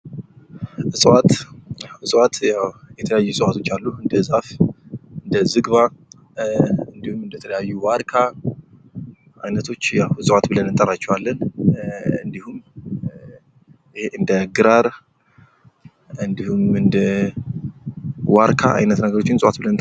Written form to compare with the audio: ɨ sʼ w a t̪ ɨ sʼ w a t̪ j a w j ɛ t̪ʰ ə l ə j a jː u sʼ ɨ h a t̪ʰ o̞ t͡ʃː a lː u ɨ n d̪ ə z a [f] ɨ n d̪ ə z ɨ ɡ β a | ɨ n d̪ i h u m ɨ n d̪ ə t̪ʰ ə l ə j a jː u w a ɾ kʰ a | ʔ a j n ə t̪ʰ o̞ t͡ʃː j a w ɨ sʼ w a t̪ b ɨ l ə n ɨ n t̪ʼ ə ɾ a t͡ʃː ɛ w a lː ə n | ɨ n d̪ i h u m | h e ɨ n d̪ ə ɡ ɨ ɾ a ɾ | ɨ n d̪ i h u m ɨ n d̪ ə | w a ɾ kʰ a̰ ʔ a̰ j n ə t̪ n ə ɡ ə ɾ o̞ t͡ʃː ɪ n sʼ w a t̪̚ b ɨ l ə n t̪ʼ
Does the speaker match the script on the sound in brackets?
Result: yes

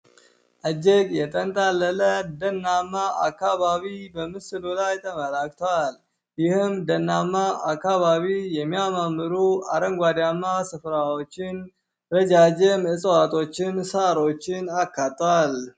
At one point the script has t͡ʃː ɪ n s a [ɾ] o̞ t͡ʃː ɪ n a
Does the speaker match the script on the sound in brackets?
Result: yes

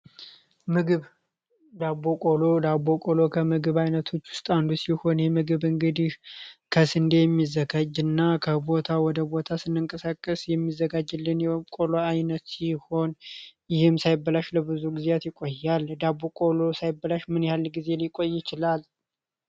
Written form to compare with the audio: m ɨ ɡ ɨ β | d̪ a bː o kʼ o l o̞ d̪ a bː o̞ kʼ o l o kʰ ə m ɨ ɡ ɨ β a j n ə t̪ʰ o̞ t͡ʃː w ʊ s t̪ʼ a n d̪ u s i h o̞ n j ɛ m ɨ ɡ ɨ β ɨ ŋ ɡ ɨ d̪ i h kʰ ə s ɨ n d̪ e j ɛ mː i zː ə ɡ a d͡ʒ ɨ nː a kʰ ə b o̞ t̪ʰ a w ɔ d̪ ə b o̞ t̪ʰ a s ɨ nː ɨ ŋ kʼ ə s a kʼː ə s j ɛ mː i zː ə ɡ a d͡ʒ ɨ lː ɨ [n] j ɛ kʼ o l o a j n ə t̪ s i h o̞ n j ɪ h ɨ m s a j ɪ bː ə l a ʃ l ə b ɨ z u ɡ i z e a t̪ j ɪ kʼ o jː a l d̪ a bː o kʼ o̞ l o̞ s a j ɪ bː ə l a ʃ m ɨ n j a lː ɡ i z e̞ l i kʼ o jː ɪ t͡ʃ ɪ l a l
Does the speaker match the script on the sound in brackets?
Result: yes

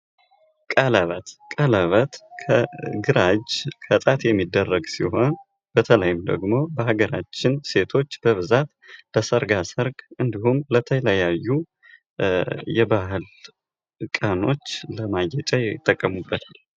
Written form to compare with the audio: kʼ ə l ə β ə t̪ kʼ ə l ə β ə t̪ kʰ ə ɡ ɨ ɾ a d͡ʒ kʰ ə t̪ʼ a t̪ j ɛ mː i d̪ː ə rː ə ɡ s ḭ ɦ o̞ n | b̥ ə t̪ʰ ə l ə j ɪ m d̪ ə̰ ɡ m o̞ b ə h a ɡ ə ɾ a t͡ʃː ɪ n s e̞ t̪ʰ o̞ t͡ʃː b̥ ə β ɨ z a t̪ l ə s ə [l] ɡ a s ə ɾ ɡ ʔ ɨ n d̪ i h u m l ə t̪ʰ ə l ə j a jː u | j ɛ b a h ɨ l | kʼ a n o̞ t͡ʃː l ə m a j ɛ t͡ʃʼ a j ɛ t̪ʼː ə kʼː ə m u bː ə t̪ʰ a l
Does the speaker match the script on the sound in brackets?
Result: no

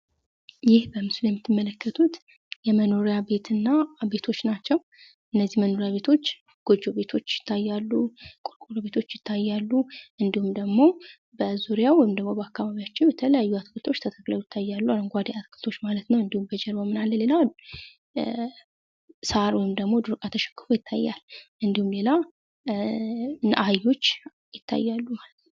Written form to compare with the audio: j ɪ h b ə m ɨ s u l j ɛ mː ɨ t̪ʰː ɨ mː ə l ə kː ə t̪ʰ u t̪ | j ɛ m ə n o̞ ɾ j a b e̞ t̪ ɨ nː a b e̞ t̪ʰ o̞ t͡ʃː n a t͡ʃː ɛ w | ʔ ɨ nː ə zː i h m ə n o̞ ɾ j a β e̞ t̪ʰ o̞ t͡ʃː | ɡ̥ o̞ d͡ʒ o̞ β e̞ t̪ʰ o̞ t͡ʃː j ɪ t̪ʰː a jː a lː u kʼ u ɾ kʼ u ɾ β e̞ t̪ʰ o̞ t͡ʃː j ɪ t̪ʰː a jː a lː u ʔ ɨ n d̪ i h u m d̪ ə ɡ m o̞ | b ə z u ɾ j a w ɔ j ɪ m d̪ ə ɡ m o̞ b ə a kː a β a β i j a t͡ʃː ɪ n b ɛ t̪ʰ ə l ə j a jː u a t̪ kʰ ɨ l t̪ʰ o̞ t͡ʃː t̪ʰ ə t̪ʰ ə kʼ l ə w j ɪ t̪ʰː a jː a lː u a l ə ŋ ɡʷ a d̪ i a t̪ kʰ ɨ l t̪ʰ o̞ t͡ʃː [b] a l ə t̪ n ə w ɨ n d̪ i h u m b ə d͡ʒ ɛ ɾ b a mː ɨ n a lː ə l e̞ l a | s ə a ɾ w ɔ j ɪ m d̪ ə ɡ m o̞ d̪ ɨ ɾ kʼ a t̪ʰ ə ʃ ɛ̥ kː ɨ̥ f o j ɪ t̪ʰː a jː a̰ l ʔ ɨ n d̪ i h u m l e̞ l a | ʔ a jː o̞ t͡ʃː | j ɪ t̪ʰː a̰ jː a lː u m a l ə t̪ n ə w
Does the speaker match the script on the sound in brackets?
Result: no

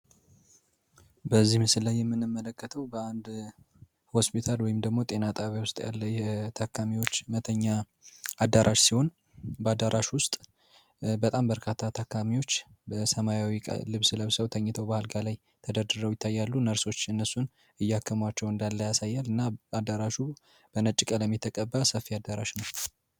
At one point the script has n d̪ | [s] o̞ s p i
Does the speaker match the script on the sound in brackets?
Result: no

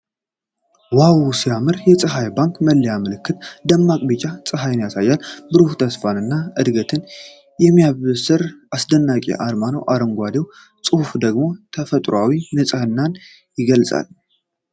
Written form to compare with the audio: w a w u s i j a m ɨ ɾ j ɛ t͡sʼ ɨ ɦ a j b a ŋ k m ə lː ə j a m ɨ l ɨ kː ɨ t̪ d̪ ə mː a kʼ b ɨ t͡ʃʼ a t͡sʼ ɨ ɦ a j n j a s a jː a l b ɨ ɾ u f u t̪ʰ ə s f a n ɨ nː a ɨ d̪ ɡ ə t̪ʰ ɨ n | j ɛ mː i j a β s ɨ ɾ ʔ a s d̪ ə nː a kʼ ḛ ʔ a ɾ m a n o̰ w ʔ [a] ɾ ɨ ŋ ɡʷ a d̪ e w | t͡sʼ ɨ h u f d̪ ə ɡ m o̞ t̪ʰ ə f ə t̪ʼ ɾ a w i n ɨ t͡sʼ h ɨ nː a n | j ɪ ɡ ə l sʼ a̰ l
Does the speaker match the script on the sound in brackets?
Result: yes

